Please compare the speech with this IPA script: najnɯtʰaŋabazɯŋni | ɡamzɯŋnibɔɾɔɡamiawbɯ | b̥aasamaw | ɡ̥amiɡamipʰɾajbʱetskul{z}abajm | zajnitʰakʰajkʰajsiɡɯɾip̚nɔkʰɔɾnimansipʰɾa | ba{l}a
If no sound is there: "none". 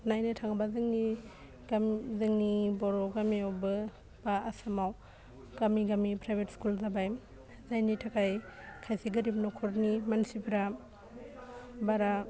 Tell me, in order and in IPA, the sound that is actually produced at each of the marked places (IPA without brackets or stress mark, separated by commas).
z, ɾ